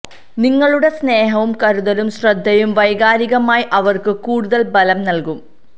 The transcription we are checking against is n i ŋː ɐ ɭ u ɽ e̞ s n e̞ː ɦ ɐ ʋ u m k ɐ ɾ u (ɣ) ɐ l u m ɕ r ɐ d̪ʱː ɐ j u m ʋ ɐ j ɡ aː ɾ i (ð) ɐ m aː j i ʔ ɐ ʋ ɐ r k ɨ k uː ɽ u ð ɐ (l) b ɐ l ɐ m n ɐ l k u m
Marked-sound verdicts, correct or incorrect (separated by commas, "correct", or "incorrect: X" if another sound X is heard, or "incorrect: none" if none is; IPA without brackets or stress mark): incorrect: ð, incorrect: ɣ, correct